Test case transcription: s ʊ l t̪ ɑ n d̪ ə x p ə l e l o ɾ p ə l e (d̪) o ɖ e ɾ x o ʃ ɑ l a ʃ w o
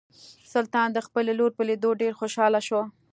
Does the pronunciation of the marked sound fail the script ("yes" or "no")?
no